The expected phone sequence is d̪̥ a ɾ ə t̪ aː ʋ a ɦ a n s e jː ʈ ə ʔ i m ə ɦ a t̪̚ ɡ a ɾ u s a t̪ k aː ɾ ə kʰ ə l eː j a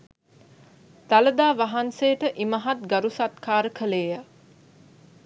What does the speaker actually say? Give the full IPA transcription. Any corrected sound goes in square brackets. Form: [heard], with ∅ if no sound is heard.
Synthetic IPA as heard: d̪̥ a [l] ə [d̪] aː ʋ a ɦ a n s e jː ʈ ə ʔ i m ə ɦ a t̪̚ ɡ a ɾ u s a t̪ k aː ɾ ə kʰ ə l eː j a

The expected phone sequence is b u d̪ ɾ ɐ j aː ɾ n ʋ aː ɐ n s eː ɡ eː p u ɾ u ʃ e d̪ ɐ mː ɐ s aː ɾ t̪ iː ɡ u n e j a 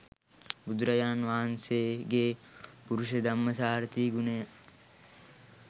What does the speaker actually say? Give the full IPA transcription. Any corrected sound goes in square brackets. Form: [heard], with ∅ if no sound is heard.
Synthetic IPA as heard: b u d̪ ɾ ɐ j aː [∅] n ʋ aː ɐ n s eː ɡ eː p u ɾ u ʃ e d̪ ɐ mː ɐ s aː ɾ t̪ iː ɡ u n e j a

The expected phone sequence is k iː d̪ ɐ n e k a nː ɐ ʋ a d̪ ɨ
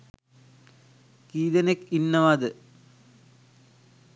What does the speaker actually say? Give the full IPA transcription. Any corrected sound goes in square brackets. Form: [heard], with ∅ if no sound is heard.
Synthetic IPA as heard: k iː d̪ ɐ n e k [i] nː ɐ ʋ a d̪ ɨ

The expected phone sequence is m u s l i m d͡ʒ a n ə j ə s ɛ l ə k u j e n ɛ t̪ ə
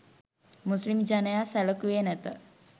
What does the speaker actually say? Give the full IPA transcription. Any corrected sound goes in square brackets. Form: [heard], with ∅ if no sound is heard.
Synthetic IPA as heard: m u s l i m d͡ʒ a n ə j [a] s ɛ l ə k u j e n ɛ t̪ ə

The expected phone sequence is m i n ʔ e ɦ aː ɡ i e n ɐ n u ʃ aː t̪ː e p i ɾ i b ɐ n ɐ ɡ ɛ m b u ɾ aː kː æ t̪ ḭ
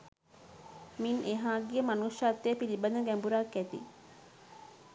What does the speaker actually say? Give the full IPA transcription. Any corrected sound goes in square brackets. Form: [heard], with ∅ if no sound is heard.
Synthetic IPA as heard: m i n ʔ e ɦ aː ɡ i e [m] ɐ n u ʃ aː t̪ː e p i [l] i b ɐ n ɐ ɡ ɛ m b u ɾ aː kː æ t̪ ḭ

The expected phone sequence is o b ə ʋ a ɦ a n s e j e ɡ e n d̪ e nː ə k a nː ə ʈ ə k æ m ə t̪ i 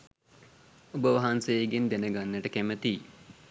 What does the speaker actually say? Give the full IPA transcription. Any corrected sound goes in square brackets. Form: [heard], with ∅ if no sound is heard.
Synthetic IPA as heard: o b ə ʋ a ɦ a n s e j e ɡ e n d̪ e [n] ə [ɡ] a nː ə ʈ ə k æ m ə t̪ i

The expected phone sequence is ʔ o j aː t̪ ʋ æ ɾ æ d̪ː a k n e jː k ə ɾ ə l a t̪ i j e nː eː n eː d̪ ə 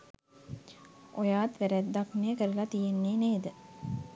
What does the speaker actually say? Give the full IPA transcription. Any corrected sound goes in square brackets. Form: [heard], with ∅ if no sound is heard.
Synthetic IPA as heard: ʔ o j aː t̪ ʋ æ ɾ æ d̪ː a k n e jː k ə ɾ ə l a t̪ i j e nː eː n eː d̪ ə

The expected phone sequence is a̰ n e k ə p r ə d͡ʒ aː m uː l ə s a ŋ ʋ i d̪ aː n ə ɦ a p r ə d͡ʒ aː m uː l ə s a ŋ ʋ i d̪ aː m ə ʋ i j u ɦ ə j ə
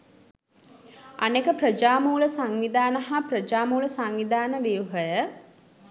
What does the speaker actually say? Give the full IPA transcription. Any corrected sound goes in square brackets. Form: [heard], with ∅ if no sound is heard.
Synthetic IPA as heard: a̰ n e k ə p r ə d͡ʒ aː m uː l ə s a ŋ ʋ i d̪ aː n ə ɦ a p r ə d͡ʒ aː m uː l ə s a ŋ ʋ i d̪ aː [n] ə ʋ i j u ɦ ə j ə

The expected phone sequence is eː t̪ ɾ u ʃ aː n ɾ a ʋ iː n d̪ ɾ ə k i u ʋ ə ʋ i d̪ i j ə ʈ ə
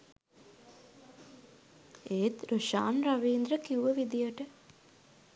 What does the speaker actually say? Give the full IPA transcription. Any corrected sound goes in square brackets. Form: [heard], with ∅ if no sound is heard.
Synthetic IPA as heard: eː t̪ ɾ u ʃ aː n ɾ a ʋ iː n d̪ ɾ ə k i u ʋ ə ʋ i d̪ i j ə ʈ ə

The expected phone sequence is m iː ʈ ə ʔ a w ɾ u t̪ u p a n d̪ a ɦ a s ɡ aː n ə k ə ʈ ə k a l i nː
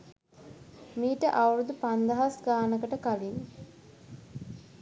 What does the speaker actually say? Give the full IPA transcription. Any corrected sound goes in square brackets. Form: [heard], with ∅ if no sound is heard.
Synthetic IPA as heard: m iː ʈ ə ʔ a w ɾ u [d̪] u p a n d̪ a ɦ a s ɡ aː n ə k ə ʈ ə k a l i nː

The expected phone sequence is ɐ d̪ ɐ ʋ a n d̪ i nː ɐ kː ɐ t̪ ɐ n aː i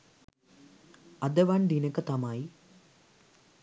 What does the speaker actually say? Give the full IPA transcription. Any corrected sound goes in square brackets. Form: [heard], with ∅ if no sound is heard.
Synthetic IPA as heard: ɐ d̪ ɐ ʋ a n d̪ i [n] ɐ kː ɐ t̪ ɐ [m] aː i

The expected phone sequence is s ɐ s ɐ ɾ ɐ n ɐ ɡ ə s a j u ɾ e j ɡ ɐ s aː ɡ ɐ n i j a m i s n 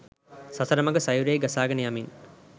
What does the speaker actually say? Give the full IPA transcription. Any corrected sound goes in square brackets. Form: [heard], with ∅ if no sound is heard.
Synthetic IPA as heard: s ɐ s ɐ ɾ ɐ [m] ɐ ɡ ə s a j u ɾ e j ɡ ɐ s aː ɡ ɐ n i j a m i [∅] n

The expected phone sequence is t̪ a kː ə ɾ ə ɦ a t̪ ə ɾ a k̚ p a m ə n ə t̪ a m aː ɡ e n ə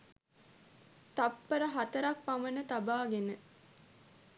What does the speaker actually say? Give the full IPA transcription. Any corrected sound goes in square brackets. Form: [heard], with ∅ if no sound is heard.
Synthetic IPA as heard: t̪ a [pː] ə ɾ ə ɦ a t̪ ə ɾ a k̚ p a m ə n ə t̪ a [b] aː ɡ e n ə

